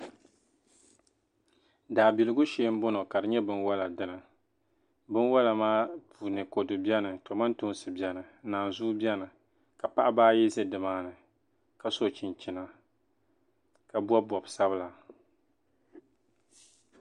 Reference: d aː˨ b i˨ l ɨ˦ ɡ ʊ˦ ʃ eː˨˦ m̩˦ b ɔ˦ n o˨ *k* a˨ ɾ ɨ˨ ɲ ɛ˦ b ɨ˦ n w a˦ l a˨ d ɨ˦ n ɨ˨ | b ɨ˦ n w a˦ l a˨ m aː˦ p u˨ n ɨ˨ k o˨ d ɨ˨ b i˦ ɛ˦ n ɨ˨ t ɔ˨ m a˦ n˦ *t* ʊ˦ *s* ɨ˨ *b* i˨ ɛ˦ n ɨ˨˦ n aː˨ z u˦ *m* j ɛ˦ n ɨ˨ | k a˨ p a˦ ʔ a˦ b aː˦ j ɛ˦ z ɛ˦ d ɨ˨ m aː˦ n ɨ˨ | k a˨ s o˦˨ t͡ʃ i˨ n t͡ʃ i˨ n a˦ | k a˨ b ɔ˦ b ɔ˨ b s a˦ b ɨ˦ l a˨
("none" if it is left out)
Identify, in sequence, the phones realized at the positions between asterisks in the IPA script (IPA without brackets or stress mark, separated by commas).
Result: k, t, s, b, b